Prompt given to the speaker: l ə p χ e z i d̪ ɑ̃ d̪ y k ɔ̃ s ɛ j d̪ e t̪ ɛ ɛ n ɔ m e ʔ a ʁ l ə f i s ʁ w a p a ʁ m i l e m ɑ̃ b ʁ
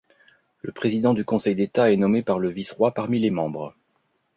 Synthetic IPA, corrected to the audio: l ə p χ e z i d̪ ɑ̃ d̪ y k ɔ̃ s ɛ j d̪ e t̪ a ɛ n ɔ m e p a ʁ l ə v i s ʁ w a p a ʁ m i l e m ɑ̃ b ʁ